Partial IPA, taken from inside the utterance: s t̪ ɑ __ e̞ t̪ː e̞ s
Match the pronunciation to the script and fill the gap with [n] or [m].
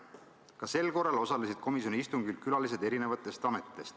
m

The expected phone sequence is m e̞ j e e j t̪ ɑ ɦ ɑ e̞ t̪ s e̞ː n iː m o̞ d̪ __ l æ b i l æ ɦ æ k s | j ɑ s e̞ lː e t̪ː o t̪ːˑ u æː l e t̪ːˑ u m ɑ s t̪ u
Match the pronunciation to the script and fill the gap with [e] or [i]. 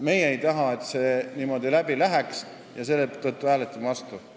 i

